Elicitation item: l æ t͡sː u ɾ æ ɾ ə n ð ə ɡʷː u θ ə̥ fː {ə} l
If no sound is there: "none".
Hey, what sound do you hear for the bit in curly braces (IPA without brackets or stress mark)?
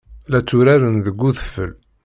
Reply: ə